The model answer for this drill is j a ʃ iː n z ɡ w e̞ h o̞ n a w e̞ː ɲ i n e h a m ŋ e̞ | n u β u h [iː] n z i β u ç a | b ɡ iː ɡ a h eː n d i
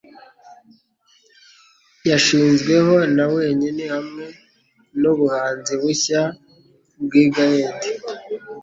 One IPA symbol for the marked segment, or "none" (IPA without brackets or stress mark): aː